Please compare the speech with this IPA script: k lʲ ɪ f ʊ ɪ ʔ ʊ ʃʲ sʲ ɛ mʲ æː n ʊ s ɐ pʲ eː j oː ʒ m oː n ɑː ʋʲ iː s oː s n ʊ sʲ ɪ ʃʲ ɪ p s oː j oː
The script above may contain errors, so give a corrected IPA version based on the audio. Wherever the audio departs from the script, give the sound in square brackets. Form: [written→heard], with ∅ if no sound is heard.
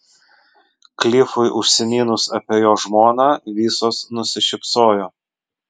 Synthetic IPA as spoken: k lʲ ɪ f ʊ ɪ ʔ ʊ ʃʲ sʲ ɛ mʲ [æː→iː] n ʊ s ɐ pʲ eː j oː ʒ m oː n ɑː ʋʲ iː s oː s n ʊ sʲ ɪ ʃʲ ɪ p s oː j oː